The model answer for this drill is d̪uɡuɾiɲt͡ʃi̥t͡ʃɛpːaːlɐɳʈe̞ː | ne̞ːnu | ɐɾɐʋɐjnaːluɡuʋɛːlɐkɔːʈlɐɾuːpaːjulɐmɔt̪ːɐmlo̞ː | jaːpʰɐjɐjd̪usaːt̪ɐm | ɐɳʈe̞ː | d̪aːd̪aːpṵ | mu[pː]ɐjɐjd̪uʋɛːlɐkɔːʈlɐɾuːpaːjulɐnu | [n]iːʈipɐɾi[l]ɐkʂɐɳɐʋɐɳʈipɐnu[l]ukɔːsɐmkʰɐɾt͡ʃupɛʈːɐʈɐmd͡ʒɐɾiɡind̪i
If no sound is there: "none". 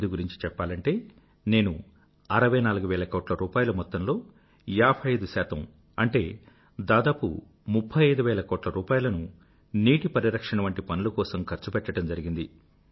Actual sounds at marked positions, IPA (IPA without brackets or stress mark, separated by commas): pʰː, n, ɾ, l